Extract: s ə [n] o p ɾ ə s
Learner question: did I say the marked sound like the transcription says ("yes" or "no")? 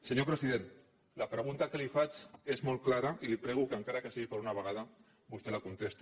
no